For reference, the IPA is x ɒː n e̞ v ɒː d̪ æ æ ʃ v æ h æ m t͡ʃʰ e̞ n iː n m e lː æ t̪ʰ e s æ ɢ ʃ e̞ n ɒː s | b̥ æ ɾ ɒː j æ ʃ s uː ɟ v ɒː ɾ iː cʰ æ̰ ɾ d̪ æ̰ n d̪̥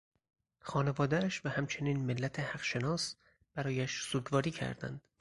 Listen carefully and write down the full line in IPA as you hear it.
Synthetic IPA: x ɒː n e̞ v ɒː d̪ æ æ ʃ v æ h æ m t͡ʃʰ e̞ n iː n m e lː æ t̪ʰ e h æ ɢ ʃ e̞ n ɒː s | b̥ æ ɾ ɒː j æ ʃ s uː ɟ v ɒː ɾ iː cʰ æ̰ ɾ d̪ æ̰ n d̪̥